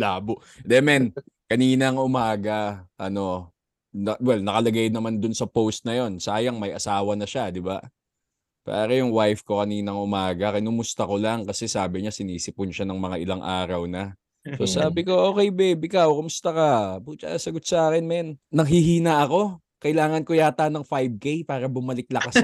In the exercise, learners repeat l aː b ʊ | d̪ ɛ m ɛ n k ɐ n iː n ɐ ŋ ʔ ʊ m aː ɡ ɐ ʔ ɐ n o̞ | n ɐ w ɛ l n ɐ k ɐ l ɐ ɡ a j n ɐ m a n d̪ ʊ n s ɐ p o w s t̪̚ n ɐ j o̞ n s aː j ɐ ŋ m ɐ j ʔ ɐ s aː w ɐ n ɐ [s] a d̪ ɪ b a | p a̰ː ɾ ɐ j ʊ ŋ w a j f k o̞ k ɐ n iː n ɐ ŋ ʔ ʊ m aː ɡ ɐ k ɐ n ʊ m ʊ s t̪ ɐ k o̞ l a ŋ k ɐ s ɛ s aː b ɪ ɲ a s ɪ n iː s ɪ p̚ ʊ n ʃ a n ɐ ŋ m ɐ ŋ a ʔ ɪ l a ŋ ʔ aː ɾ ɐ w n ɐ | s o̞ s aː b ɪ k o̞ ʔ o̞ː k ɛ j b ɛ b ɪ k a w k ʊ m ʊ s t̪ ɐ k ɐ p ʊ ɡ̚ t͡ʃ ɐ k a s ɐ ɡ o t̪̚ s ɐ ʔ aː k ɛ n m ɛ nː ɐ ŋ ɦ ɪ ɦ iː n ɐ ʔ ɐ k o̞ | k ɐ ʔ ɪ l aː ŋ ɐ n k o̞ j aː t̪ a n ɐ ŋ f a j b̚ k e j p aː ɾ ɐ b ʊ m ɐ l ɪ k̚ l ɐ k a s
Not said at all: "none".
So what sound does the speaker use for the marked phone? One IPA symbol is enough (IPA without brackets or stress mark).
ʃ